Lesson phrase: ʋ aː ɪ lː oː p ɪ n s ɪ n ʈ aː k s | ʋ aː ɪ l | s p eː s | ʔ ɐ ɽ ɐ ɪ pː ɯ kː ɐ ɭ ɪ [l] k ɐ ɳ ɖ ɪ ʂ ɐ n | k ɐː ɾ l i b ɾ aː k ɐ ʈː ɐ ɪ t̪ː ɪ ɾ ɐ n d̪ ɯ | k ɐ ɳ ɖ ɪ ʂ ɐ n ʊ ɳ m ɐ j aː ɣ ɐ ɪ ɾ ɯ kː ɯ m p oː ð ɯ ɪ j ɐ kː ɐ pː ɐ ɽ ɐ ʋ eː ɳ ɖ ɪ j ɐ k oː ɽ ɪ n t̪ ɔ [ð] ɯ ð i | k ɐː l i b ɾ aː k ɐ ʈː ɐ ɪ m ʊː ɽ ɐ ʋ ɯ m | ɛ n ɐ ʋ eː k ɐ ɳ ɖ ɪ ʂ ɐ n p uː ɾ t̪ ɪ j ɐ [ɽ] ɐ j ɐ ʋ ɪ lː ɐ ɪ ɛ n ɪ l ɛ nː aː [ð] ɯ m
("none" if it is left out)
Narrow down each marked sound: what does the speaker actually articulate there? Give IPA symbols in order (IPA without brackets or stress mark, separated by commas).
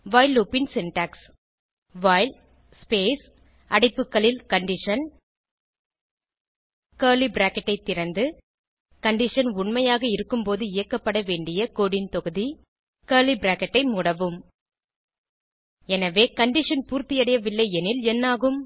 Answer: l, ɣ, ɽ, ɣ